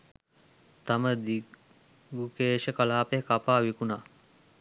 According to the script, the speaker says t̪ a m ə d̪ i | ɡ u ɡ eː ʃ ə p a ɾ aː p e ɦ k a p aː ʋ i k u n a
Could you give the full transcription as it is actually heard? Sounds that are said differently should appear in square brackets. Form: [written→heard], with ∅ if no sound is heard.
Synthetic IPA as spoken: t̪ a m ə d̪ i | ɡ u [ɡ→k] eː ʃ ə [p→k] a [ɾ→l] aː p e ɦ k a p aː ʋ i k u n a